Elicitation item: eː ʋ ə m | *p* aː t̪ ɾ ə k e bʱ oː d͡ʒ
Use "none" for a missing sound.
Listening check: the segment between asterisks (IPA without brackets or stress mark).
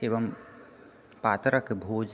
p